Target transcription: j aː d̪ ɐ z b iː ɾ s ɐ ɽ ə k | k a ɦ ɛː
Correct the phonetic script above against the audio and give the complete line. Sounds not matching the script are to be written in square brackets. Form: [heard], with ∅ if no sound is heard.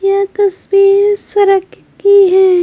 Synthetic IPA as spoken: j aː [t̪] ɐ [s] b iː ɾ s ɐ [ɾ] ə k | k [i] ɦ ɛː

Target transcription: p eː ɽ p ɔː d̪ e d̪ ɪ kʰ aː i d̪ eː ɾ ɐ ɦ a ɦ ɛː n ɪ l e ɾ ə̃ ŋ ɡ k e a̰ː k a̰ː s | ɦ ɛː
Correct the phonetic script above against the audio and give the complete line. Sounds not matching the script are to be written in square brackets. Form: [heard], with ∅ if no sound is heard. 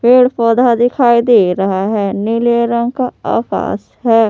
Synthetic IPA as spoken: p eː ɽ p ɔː d̪ [a] d̪ ɪ kʰ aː i d̪ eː ɾ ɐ ɦ a ɦ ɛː n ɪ l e ɾ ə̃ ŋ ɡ k [a] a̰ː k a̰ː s | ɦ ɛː

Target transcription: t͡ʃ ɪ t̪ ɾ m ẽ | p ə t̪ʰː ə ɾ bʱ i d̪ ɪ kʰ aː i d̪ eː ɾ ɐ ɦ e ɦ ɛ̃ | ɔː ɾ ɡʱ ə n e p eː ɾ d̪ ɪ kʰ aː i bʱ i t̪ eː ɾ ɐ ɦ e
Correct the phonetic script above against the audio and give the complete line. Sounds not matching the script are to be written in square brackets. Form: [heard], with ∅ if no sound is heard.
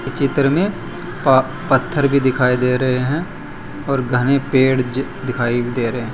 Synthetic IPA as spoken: t͡ʃ ɪ t̪ ɾ m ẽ | p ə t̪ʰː ə ɾ bʱ i d̪ ɪ kʰ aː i d̪ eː ɾ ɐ ɦ e ɦ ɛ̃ | ɔː ɾ ɡʱ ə n e p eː [ɽ] d̪ ɪ kʰ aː i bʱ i [d̪] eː ɾ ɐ ɦ e

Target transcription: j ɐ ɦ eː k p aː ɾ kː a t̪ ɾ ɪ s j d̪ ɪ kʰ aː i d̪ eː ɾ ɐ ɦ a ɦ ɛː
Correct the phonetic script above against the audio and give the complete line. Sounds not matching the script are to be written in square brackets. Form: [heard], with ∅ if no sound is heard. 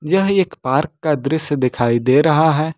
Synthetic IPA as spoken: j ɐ ɦ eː k p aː ɾ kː a [d̪] ɾ ɪ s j d̪ ɪ kʰ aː i d̪ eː ɾ ɐ ɦ a ɦ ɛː

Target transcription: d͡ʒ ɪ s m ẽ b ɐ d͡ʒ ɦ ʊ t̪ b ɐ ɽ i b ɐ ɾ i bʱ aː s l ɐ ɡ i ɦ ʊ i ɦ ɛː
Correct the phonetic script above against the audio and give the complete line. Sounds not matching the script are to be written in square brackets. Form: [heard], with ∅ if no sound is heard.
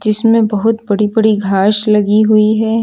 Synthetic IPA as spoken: d͡ʒ ɪ s m ẽ b ɐ [∅] ɦ ʊ t̪ b ɐ ɽ i b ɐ [ɽ] i [ɡʱ] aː [ʃ] l ɐ ɡ i ɦ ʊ i ɦ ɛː

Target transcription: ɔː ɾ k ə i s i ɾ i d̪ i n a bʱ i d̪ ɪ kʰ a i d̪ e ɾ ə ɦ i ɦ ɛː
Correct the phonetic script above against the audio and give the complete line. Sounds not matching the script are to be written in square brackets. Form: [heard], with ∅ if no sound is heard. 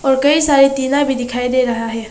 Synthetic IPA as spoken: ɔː ɾ k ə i s [a] ɾ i [t̪] i n a bʱ i d̪ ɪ kʰ a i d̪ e ɾ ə ɦ [a] ɦ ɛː

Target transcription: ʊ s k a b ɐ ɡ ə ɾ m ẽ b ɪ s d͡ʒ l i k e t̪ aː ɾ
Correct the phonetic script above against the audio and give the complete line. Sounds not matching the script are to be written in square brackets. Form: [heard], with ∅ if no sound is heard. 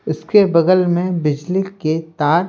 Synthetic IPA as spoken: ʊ s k [e] b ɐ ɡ ə [l] m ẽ b ɪ [∅] d͡ʒ l i k e t̪ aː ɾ

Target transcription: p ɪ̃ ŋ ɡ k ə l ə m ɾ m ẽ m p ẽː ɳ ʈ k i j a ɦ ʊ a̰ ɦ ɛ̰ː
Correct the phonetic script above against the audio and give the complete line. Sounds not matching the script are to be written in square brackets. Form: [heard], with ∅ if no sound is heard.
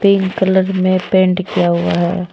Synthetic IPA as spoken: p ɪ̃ ŋ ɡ k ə l ə [∅] ɾ m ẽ [∅] p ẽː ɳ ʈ k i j a ɦ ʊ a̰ ɦ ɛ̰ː

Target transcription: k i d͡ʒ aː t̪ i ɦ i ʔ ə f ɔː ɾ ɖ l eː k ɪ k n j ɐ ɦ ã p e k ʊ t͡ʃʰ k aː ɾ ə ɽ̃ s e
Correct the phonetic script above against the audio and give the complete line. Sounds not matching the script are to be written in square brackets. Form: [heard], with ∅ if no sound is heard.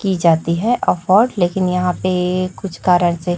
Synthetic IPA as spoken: k i d͡ʒ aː t̪ i ɦ [ɛ] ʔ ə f ɔː ɾ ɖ l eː k ɪ [∅] n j ɐ ɦ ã p e k ʊ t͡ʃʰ k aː ɾ ə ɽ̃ s e

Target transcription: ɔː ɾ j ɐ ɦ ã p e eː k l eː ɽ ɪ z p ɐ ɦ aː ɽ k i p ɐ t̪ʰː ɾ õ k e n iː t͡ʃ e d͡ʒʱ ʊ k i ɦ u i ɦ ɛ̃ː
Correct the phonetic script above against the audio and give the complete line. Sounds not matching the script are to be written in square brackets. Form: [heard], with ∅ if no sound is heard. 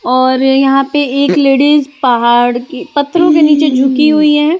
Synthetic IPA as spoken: ɔː ɾ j ɐ ɦ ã p e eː k l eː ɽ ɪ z p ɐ ɦ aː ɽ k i p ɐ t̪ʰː ɾ õ k e n iː t͡ʃ e d͡ʒʱ ʊ k i ɦ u i ɦ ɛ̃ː

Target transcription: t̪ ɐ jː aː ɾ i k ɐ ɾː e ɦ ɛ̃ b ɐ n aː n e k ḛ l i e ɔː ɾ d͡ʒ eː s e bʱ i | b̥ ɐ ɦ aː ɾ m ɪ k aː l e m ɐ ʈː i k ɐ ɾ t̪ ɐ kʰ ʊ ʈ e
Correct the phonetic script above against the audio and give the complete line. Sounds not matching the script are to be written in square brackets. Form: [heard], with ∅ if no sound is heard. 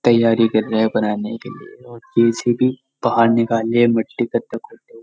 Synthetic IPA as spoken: t̪ ɐ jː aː ɾ i k ɐ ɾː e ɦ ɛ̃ b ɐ n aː n e k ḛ l i e ɔː ɾ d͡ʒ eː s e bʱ i | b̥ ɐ ɦ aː ɾ [n] ɪ k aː l e m ɐ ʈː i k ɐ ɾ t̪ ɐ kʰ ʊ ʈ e

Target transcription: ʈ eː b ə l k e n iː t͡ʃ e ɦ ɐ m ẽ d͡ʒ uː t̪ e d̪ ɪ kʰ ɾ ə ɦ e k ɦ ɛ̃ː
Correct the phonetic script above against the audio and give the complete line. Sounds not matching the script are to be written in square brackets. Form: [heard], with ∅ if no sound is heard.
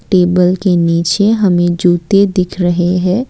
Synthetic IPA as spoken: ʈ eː b ə l k e n iː t͡ʃ e ɦ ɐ m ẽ d͡ʒ uː t̪ e d̪ ɪ kʰ ɾ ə ɦ e [∅] ɦ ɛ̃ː

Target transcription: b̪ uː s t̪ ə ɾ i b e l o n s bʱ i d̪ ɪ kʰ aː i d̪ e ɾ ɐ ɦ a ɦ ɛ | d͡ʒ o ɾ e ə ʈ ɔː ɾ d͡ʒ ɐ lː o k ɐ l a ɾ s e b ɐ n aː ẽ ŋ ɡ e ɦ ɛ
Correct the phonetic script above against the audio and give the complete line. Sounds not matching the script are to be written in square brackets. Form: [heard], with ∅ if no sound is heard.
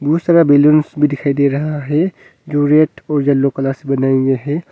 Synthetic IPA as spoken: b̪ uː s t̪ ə ɾ [a] b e l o n s bʱ i d̪ ɪ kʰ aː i d̪ e ɾ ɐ ɦ a ɦ ɛ | d͡ʒ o ɾ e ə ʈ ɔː ɾ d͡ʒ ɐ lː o k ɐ l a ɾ s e b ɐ n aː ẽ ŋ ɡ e ɦ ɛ

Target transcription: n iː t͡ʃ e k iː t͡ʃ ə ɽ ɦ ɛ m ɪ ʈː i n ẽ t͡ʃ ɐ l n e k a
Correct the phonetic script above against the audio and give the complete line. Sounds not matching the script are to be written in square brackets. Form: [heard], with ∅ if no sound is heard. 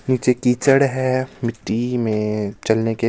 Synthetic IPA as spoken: n iː t͡ʃ e k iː t͡ʃ ə ɽ ɦ ɛ m ɪ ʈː i [m] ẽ t͡ʃ ɐ l n e k [e]

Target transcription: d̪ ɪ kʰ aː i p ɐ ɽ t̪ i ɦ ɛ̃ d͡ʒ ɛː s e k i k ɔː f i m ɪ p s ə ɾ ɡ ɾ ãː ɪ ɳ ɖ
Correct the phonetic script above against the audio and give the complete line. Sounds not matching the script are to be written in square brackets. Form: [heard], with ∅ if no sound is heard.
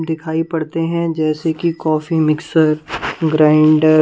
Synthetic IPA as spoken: d̪ ɪ kʰ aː i p ɐ ɽ t̪ [e] ɦ ɛ̃ d͡ʒ ɛː s e k i k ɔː f i m ɪ [k] s ə ɾ ɡ ɾ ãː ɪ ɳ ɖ

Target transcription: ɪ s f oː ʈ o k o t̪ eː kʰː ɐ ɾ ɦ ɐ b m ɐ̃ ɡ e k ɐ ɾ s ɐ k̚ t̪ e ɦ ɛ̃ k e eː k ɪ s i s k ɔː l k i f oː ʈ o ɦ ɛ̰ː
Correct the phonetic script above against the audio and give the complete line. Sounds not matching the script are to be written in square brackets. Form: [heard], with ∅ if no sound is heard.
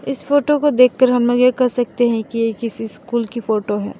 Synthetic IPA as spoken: ɪ s f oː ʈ o k o [d̪] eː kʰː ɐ ɾ ɦ ɐ [m] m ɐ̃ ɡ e k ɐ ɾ s ɐ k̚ t̪ e ɦ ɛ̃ k [i] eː k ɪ s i s k [uː] l k i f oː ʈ o ɦ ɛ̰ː

